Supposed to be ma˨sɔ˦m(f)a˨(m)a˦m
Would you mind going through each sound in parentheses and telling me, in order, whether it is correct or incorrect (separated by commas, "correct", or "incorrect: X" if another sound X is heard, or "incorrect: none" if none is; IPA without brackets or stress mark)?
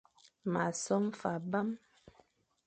correct, incorrect: b